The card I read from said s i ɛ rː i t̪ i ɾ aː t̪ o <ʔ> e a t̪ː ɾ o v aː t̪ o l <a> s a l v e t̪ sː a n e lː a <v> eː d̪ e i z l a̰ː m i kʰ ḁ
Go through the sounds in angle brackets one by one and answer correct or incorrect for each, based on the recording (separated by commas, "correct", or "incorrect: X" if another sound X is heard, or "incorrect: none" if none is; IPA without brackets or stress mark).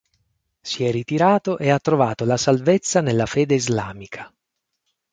correct, correct, incorrect: f